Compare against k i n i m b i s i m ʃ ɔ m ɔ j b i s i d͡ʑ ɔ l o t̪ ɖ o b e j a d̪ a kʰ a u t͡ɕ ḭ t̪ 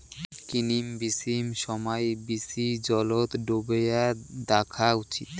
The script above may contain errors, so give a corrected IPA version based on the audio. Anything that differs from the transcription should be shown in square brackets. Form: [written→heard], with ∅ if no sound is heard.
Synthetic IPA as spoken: k i n i m b i s i m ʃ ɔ m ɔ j b i s i d͡ʑ ɔ l o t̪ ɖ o b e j a d̪ a kʰ a u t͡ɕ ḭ t̪